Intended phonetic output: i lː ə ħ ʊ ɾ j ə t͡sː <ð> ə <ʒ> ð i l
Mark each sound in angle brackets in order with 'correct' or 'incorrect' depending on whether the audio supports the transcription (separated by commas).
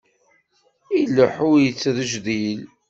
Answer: correct, correct